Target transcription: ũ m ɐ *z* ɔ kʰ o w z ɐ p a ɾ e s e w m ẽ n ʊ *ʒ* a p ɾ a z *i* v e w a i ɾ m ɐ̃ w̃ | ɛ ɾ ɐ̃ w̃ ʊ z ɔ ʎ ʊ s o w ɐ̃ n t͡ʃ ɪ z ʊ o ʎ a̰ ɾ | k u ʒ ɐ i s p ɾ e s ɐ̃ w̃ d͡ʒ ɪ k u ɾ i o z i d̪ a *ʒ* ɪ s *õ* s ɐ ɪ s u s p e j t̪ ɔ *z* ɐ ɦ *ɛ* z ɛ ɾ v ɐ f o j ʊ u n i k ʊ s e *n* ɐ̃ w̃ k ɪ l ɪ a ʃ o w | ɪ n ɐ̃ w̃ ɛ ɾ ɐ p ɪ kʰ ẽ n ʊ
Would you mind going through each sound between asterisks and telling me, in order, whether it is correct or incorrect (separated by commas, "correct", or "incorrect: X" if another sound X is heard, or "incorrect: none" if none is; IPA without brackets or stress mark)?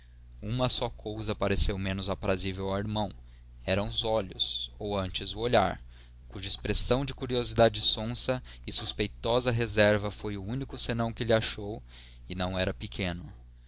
incorrect: s, incorrect: z, correct, incorrect: d͡ʒ, correct, correct, incorrect: e, correct